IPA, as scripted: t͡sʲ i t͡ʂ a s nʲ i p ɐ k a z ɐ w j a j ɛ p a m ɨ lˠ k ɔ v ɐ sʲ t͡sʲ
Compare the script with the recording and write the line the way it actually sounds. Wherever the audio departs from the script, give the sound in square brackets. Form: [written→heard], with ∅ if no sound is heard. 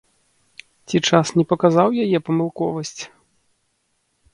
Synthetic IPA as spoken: t͡sʲ i t͡ʂ a s nʲ [i→ɛ] p ɐ k a z [ɐ→a] w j a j ɛ p [a→ɐ] m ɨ lˠ k ɔ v ɐ sʲ t͡sʲ